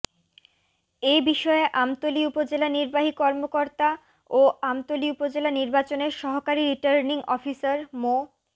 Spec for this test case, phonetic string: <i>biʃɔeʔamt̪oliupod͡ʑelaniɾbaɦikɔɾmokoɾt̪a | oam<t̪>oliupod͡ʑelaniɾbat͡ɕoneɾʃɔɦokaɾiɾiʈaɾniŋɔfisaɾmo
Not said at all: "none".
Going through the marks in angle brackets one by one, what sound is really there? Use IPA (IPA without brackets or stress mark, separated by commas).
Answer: e, t̪